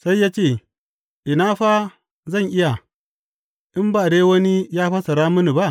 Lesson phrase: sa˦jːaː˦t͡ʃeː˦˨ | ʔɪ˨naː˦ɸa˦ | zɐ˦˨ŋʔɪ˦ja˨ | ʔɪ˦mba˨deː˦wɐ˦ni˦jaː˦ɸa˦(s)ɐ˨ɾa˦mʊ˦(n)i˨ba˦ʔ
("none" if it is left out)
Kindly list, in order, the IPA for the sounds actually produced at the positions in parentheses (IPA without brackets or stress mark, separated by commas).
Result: s, n